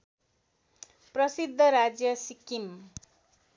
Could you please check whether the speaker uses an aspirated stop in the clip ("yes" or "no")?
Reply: no